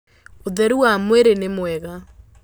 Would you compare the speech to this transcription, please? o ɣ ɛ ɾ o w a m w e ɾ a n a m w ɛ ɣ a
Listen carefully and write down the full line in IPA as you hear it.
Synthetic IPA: o ð ɛ ɾ u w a m w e ɾ e n e m w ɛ ɣ a